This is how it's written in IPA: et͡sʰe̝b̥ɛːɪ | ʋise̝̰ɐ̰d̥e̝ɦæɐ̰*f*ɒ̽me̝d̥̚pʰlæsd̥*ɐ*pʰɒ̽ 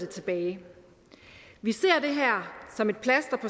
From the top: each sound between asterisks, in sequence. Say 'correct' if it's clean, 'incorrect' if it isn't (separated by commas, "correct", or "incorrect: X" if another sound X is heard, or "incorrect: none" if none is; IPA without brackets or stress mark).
incorrect: s, correct